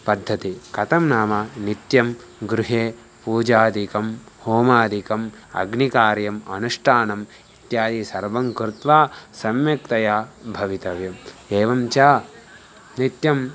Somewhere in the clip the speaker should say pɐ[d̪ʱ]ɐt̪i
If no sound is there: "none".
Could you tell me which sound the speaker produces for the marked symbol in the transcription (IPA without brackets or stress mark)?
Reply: d̪ʱː